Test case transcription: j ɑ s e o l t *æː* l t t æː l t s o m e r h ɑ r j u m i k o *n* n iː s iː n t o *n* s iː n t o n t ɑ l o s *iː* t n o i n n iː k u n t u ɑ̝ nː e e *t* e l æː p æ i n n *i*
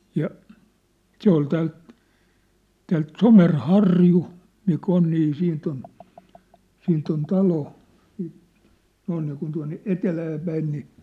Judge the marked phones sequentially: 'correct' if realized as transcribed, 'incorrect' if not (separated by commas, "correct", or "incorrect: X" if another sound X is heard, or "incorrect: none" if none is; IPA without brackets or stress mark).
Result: correct, correct, correct, correct, correct, correct